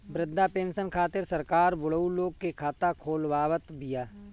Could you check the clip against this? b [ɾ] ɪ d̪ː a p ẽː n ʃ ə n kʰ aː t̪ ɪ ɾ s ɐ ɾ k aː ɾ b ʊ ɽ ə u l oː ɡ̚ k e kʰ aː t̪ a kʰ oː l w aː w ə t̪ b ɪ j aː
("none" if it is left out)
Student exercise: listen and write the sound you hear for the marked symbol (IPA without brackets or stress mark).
ɾ